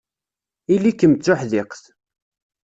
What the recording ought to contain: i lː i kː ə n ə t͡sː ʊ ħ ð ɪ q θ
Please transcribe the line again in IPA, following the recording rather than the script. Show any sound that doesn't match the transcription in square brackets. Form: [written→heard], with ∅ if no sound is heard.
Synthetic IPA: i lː i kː ə [n→m] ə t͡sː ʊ ħ ð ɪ q θ

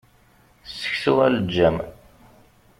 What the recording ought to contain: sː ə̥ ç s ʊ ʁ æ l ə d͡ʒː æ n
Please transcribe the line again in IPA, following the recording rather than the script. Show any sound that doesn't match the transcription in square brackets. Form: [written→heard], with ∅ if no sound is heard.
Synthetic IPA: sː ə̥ ç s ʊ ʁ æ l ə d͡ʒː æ [n→m]

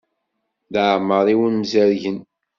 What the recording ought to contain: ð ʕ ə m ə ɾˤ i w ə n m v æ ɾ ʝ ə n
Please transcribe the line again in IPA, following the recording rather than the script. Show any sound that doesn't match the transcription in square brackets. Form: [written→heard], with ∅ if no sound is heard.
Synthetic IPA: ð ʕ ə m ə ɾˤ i w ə n m [v→z] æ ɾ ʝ ə n

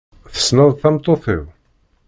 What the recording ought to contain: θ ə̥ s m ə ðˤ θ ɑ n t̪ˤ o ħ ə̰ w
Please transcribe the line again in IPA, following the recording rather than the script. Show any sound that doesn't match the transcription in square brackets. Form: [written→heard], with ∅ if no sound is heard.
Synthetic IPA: θ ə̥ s [m→n] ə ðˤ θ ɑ [n→m] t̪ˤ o [ħ→θ] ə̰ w

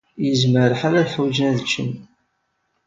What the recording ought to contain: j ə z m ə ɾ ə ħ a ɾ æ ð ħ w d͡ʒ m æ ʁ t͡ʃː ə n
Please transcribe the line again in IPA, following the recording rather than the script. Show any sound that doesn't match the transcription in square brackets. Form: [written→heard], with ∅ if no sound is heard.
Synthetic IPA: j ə z m ə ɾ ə ħ a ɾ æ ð ħ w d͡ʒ [m→n] æ [ʁ→ð] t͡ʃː ə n

